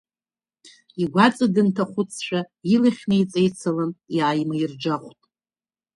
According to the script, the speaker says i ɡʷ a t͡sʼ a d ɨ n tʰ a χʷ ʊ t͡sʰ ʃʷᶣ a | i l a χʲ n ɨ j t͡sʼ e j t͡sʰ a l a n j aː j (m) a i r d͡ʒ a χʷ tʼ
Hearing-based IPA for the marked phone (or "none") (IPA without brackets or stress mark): m